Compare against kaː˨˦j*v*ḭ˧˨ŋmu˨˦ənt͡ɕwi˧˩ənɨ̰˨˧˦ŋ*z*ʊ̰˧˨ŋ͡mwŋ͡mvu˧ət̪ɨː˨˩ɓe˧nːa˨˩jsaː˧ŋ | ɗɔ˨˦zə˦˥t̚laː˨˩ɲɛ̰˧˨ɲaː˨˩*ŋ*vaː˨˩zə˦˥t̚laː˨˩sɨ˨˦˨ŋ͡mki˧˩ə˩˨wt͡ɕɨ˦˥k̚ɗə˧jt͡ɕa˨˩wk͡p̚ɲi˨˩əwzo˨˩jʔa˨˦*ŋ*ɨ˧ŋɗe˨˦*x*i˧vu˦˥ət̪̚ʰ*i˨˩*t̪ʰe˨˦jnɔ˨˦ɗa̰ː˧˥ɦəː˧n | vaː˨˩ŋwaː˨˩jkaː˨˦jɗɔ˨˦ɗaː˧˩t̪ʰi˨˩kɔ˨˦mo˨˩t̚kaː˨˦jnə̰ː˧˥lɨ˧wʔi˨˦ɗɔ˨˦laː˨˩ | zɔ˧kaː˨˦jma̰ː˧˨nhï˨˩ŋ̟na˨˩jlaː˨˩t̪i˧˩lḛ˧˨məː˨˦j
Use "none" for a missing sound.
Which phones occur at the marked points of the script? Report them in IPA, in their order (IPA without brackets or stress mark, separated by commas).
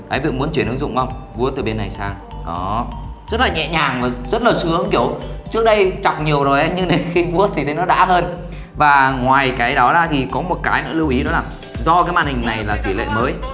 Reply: v, z, ŋ, ɲ, x, i˨˩